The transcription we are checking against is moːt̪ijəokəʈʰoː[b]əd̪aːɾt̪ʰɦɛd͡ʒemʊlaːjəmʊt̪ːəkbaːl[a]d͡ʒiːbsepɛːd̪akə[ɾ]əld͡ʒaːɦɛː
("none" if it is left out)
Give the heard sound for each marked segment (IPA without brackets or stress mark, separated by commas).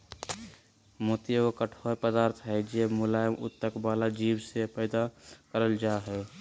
p, a, ɾ